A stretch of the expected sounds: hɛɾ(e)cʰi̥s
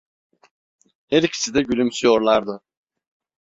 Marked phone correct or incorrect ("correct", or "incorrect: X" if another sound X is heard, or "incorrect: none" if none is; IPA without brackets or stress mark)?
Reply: incorrect: i